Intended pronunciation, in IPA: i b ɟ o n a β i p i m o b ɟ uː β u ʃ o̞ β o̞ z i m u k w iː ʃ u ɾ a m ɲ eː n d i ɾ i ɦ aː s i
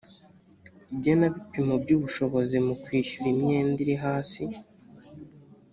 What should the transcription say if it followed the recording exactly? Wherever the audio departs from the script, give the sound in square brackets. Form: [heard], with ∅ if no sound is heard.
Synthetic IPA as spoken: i b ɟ o n a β i p i m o b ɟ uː β u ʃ o̞ β o̞ z i m u k w iː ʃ u ɾ [i] m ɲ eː n d i ɾ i ɦ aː s i